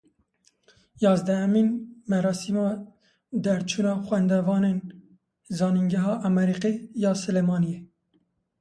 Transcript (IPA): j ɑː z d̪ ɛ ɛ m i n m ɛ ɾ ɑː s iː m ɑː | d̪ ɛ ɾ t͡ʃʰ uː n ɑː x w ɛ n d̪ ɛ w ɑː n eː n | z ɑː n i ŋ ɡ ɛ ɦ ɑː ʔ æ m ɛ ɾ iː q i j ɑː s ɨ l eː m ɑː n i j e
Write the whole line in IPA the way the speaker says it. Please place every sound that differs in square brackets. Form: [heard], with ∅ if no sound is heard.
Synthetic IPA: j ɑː z d̪ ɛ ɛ m i n m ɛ ɾ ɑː s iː m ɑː | d̪ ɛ ɾ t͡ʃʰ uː n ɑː x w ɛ n d̪ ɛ [v] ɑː n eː n | z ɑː n i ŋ ɡ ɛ ɦ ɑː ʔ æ m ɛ ɾ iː q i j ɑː s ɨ l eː m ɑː n i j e

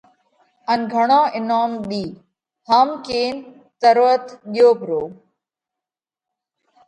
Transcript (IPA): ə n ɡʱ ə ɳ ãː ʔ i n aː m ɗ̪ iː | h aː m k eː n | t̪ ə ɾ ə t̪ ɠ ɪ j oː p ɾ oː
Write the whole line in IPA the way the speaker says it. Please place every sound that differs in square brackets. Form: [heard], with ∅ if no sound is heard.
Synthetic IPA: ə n ɡʱ ə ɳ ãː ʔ [ɪ] n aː m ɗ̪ iː | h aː m k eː n | t̪ ə ɾ ə t̪ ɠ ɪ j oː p ɾ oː

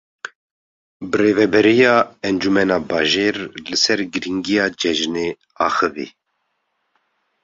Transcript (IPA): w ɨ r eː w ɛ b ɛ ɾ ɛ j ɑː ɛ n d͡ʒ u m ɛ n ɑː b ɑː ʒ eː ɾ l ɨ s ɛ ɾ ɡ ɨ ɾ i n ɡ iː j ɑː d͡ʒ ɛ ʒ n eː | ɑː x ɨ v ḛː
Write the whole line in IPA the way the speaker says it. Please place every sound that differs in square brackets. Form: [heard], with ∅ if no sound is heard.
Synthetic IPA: [b] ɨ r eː [v] ɛ b ɛ ɾ [i] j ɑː ɛ n d͡ʒ u m ɛ n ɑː b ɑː ʒ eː ɾ l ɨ s ɛ ɾ ɡ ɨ ɾ i [ŋ] ɡ [i] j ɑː d͡ʒ ɛ ʒ n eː | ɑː x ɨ v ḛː

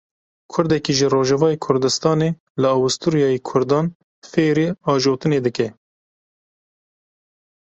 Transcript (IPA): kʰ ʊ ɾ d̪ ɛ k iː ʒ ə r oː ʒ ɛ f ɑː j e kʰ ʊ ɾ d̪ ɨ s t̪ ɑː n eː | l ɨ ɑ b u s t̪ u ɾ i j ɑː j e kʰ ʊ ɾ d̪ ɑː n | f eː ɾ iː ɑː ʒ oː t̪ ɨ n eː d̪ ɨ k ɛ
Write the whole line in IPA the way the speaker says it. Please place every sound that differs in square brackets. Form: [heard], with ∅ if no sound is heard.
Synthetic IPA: kʰ ʊ ɾ d̪ ɛ k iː ʒ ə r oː ʒ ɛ [v] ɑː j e kʰ ʊ ɾ d̪ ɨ s t̪ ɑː n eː | l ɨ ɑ [w] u s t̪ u ɾ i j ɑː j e kʰ ʊ ɾ d̪ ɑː n | f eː ɾ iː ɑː ʒ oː t̪ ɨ n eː d̪ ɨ k ɛ

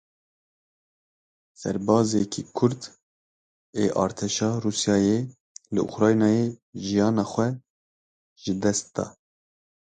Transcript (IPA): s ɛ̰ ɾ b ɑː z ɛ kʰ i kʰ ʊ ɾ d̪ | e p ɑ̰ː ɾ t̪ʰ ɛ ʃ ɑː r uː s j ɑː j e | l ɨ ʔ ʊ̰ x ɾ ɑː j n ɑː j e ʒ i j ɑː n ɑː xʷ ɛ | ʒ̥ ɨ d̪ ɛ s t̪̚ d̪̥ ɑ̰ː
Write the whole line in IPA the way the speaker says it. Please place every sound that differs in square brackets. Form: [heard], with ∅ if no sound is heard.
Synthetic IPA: s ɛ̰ ɾ b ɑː z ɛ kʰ i kʰ ʊ ɾ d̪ | e [ʔ] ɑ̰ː ɾ t̪ʰ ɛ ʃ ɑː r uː s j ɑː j e | l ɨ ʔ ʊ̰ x ɾ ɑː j n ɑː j e ʒ i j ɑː n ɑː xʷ ɛ | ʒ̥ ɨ d̪ ɛ s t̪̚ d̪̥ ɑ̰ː

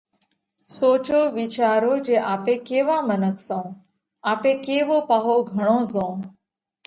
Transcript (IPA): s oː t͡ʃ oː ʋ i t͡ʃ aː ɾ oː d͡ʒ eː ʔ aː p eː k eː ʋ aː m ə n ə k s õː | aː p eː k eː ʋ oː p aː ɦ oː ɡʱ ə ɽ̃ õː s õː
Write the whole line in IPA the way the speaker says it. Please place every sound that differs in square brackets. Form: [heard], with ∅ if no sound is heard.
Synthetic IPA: s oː t͡ʃ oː ʋ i t͡ʃ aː ɾ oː d͡ʒ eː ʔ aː p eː k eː ʋ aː m ə n ə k s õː | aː p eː k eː ʋ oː p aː ɦ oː ɡʱ ə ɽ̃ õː [z] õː

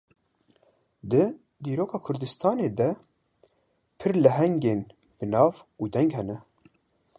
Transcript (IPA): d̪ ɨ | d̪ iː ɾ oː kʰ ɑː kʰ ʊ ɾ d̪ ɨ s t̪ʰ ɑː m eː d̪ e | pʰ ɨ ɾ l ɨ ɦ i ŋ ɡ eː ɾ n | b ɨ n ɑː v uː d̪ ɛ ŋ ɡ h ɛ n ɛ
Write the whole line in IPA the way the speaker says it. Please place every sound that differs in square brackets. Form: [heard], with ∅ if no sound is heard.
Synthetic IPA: d̪ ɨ | d̪ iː ɾ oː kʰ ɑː kʰ ʊ ɾ d̪ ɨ s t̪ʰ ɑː [n] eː d̪ [ɛ] | pʰ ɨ ɾ l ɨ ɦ [ɛ] ŋ ɡ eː [∅] n | b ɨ n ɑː v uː d̪ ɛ ŋ ɡ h ɛ n ɛ

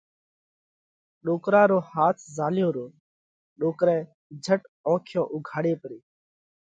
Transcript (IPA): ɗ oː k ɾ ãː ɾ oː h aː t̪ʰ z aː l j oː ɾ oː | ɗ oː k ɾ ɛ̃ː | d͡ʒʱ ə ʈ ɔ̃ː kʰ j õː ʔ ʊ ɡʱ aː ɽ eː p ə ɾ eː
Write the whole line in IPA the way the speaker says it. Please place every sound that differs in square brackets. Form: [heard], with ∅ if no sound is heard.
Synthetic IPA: ɗ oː k ɾ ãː ɾ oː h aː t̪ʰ z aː l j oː ɾ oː | ɗ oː k ɾ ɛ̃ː | d͡ʒʱ ə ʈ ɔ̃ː kʰ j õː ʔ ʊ ɡʱ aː ɽ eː p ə ɾ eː

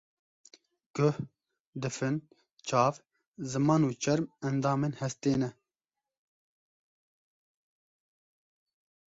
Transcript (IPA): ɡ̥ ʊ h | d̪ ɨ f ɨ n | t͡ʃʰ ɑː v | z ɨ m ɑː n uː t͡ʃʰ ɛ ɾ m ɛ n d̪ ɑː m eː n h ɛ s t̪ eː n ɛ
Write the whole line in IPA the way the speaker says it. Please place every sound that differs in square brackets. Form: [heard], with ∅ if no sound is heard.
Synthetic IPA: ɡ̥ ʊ h | d̪ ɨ f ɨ n | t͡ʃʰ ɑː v | z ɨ m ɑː n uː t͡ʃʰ ɛ ɾ m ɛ n d̪ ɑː m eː n h ɛ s t̪ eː n ɛ

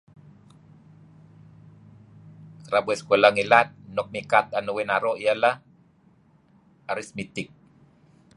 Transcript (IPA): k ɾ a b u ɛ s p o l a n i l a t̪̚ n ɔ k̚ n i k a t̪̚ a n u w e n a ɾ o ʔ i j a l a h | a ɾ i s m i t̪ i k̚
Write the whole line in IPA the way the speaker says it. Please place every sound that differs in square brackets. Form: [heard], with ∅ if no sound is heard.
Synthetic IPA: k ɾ a b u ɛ s [k] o l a [ŋ] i l a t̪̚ n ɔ k̚ [m] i k a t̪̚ a n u w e n a ɾ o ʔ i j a l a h | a ɾ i s m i t̪ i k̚

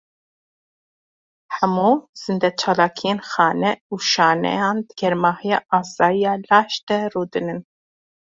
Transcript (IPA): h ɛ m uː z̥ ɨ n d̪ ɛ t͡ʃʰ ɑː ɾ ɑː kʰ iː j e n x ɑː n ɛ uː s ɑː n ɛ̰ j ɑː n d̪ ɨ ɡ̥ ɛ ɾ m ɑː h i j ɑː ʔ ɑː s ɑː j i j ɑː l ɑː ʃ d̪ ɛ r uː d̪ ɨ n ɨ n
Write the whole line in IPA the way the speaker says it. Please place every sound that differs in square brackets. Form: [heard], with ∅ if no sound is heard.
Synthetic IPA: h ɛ m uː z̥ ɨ n d̪ ɛ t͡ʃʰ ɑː [l] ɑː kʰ [i] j e n x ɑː n ɛ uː [ʃ] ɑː n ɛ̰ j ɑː n d̪ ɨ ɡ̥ ɛ ɾ m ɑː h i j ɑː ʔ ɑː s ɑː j i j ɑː l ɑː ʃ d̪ ɛ r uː d̪ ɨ n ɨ n

